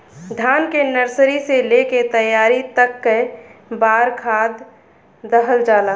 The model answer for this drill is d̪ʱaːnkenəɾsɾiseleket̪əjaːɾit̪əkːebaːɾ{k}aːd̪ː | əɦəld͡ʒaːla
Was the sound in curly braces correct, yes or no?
no